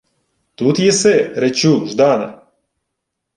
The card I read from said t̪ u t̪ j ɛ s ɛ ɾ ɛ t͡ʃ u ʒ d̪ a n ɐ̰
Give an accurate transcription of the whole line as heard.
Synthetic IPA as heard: t̪ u t̪ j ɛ s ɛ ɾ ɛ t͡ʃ u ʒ d̪ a n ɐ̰